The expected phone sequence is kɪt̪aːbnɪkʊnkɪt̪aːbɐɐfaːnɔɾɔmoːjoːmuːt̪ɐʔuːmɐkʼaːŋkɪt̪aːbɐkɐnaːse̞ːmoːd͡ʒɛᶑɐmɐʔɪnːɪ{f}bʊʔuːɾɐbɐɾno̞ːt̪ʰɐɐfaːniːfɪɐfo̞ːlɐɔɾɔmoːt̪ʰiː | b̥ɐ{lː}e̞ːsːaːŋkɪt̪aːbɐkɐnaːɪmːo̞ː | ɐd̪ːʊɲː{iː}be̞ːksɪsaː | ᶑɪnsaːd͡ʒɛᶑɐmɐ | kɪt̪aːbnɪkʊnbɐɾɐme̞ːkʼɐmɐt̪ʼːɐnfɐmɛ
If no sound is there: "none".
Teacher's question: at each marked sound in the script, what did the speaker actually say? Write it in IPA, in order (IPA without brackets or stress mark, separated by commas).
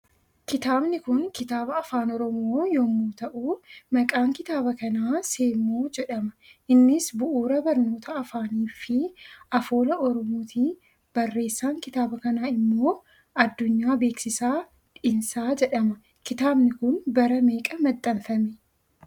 s, rː, aː